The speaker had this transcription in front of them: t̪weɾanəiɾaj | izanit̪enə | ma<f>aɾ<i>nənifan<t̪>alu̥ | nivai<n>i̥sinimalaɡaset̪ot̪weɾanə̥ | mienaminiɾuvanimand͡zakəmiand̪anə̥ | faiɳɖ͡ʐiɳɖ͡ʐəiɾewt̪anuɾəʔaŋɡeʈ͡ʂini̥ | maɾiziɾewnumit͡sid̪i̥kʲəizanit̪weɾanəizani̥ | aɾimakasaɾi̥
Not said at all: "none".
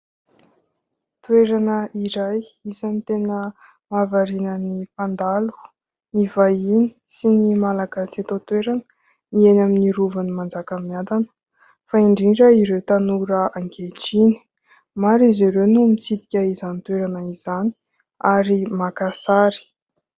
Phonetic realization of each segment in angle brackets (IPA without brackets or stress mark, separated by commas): v, i, d̪, n